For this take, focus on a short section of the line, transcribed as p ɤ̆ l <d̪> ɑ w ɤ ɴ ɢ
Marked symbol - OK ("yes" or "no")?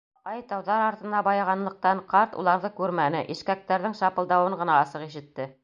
yes